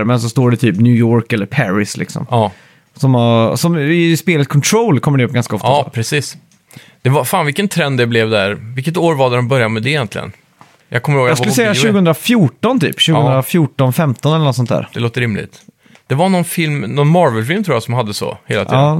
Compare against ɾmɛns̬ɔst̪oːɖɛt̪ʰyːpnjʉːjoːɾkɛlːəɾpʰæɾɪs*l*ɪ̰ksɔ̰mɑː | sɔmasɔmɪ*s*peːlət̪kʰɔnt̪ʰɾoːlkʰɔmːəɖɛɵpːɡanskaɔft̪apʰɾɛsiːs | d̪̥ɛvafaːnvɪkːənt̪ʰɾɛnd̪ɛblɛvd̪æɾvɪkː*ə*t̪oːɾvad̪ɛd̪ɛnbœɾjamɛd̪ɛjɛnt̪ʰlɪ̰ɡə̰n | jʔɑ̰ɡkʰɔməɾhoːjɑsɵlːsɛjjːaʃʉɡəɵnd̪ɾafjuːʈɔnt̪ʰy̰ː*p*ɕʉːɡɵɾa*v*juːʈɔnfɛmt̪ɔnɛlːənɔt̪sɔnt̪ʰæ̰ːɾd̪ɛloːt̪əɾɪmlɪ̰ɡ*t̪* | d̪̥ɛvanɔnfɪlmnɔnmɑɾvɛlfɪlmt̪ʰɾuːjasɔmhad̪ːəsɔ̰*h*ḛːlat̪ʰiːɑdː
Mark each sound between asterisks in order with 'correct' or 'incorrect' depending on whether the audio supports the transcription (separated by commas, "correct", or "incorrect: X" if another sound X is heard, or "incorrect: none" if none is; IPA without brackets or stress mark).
correct, correct, correct, correct, incorrect: f, correct, correct